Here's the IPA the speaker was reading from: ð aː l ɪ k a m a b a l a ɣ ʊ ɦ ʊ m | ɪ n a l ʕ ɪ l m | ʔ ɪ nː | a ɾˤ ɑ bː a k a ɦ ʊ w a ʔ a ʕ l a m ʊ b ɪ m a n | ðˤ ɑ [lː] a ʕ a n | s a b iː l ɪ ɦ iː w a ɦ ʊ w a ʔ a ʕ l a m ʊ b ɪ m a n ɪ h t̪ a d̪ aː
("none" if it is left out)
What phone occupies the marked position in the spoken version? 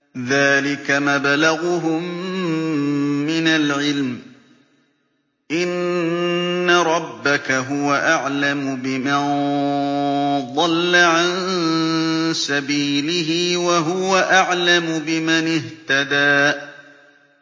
lː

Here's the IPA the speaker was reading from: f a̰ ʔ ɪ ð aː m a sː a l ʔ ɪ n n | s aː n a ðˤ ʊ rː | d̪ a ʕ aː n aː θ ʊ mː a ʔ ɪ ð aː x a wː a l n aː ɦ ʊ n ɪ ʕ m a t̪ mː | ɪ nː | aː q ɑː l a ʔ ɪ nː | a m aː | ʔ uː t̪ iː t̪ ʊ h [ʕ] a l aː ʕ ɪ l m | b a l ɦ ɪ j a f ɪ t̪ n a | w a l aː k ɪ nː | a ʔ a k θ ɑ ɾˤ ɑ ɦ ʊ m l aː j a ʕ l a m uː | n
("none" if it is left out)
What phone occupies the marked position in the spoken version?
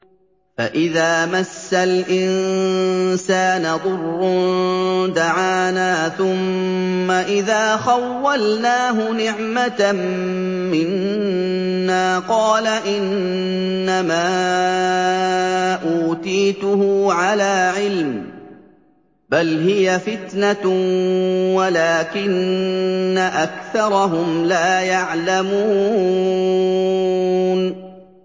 ʕ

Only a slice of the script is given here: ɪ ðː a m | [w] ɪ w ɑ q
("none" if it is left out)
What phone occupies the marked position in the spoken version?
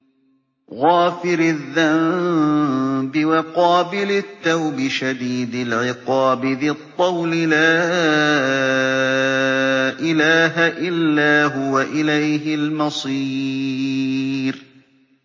b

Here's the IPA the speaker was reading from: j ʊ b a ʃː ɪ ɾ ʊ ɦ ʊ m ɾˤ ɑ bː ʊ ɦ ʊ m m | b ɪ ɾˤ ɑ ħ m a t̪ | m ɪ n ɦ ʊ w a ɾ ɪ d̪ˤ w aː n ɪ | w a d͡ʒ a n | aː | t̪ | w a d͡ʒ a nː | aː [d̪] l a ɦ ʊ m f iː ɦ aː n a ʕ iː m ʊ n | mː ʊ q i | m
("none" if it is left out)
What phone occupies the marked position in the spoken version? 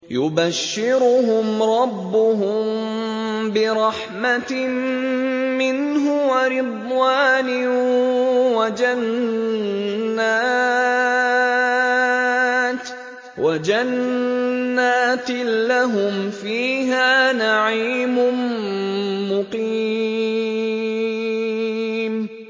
t̪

